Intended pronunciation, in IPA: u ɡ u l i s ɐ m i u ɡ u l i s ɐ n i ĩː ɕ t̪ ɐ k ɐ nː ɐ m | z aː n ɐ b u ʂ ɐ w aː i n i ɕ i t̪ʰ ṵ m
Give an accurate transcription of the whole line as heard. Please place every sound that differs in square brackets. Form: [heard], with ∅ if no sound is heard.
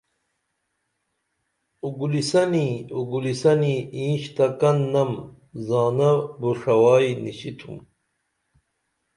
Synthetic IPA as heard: u ɡ u l i s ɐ [n] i u ɡ u l i s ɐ n i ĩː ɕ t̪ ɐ k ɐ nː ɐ m | z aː n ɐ b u ʂ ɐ w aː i n i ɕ i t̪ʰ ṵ m